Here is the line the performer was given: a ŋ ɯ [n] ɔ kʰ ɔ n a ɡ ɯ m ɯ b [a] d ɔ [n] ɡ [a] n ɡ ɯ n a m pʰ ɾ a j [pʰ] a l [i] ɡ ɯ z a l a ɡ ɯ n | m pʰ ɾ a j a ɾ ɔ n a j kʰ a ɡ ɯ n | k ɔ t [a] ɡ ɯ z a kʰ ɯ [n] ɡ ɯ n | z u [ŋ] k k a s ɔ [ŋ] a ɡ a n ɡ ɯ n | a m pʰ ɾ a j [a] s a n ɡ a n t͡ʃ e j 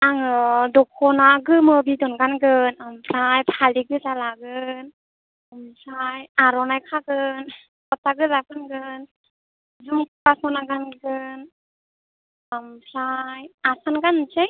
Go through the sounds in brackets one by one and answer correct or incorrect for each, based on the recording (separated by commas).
incorrect, incorrect, correct, correct, correct, correct, correct, correct, incorrect, incorrect, correct